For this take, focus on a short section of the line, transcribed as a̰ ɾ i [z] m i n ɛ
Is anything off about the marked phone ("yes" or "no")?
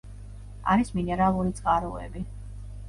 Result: yes